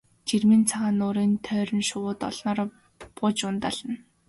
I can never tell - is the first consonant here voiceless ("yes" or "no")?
yes